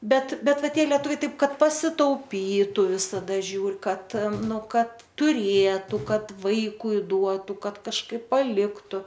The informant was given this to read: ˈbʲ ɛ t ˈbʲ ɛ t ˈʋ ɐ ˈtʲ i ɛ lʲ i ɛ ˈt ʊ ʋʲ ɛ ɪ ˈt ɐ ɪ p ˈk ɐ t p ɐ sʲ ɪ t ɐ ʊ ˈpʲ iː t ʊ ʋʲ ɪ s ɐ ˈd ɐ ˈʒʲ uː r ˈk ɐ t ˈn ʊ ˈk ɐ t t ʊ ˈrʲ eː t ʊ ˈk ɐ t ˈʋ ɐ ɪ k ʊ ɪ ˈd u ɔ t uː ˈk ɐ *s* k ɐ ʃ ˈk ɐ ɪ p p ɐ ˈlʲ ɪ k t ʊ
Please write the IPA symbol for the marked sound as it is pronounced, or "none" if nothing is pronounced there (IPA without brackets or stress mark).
t